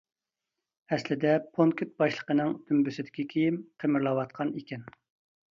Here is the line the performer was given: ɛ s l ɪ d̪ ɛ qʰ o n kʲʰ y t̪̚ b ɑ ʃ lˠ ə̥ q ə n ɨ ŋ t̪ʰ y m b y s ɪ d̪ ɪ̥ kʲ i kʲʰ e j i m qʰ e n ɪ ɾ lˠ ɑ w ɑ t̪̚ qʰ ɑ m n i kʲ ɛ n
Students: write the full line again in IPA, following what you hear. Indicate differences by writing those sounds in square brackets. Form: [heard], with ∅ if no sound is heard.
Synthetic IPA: ɛ s l ɪ d̪ ɛ [pʰ] o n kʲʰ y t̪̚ b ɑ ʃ lˠ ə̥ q ə n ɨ ŋ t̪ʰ y m b y s ɪ d̪ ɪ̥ kʲ i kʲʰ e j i m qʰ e [m] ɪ ɾ lˠ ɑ w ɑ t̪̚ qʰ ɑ [∅] n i kʲ ɛ n